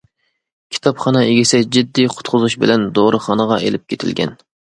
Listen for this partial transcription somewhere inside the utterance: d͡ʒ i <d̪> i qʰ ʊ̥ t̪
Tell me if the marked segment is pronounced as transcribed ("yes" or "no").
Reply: no